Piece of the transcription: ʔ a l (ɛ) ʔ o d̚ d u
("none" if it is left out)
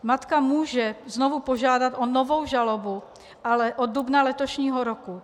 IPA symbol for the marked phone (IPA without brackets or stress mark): ɛ